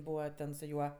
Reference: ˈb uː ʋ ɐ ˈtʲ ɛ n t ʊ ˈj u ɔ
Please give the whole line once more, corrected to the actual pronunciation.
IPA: ˈb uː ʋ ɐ ˈtʲ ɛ n s ʊ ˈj u ɔ